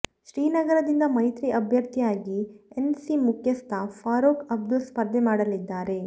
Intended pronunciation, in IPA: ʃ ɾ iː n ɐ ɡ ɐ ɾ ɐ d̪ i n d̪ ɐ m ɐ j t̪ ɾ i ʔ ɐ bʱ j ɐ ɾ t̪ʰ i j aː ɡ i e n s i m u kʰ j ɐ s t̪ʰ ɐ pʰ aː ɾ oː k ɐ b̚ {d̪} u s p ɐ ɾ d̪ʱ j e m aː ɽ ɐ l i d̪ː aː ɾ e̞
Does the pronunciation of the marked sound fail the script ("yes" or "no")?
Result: no